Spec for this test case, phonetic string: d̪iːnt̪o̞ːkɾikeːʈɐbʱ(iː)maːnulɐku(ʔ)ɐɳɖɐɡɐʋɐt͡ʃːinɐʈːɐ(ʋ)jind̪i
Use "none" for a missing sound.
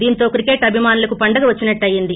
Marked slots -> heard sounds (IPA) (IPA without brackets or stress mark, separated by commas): i, p, none